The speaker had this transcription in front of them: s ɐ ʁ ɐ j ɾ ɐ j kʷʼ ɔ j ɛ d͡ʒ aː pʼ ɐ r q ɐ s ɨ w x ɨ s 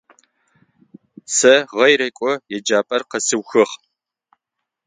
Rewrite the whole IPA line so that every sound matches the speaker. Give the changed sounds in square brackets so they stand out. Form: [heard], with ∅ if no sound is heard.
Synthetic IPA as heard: s ɐ ʁ ɐ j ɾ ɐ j kʷʼ ɔ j ɛ d͡ʒ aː pʼ ɐ r q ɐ s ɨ w x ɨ [χ]